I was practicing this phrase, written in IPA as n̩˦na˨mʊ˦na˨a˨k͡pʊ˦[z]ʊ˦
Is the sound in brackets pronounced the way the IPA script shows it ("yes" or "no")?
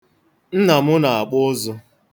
yes